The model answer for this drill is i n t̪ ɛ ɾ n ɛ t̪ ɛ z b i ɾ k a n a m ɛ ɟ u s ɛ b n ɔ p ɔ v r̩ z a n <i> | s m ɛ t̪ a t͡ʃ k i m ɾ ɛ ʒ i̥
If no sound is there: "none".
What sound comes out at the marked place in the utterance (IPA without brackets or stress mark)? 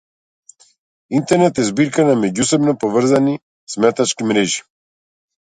i